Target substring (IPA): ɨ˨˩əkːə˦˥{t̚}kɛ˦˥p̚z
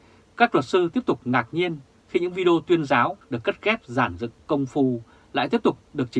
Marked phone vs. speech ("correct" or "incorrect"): correct